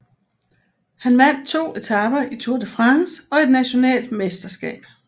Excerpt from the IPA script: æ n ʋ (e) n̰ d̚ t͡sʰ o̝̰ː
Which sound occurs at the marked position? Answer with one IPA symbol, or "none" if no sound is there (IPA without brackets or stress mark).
æ